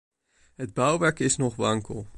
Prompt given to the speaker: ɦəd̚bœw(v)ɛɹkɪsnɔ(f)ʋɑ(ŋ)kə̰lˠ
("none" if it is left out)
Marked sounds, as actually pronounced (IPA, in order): ʋ, χ, ŋ

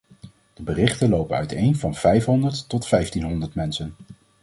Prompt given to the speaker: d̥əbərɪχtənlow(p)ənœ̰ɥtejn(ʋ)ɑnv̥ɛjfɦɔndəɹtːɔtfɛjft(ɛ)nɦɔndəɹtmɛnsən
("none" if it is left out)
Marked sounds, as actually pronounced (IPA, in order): p, v, i

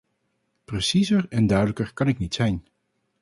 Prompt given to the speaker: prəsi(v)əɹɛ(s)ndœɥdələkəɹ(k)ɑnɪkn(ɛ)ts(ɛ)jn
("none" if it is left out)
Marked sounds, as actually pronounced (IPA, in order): z, none, k, i, ɛ

